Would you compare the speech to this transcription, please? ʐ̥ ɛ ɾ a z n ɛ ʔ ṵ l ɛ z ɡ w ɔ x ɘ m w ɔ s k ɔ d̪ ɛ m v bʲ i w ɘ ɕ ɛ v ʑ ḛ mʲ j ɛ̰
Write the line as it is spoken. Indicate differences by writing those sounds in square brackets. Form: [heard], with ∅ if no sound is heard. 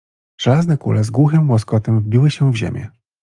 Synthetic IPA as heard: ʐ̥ ɛ [l] a z n ɛ [k] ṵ l ɛ z ɡ w [u] x ɘ m w ɔ s k ɔ [t̪] ɛ m v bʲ i w ɘ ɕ ɛ v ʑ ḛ mʲ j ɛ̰